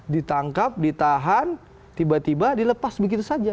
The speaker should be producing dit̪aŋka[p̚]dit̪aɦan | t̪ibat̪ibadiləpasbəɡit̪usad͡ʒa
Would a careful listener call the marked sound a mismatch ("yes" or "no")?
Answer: no